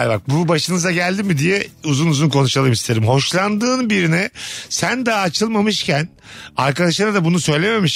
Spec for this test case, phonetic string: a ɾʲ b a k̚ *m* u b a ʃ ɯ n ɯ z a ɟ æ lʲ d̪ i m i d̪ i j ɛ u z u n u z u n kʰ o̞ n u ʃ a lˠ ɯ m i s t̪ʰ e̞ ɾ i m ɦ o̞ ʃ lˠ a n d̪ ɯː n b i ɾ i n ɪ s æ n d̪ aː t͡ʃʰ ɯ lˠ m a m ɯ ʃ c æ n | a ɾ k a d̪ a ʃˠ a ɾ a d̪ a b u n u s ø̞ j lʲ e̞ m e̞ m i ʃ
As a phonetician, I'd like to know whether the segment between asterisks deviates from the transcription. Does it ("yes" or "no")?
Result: yes